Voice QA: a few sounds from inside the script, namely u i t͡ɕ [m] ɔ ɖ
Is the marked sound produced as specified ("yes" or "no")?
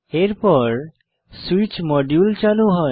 yes